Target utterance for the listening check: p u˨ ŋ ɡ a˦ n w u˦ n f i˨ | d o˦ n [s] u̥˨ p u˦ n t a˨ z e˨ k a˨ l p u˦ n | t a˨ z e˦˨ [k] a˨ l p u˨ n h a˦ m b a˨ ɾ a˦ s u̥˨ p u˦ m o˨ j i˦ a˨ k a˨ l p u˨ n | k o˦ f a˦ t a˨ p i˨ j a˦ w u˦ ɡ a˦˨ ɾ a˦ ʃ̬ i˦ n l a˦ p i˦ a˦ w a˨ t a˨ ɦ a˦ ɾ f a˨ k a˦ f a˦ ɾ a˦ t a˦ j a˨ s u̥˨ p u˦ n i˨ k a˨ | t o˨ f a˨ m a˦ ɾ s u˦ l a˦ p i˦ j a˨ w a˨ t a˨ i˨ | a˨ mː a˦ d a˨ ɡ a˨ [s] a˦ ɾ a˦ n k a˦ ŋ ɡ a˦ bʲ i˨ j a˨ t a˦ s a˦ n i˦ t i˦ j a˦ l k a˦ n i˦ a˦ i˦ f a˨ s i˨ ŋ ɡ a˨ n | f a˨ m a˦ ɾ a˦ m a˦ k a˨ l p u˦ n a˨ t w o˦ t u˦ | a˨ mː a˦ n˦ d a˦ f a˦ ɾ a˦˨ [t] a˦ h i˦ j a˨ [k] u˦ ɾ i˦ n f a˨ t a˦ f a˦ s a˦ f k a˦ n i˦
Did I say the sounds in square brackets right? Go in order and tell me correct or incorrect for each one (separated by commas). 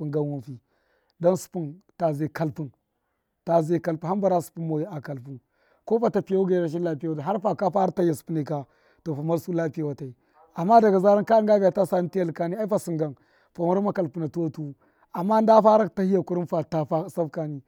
correct, correct, incorrect, correct, correct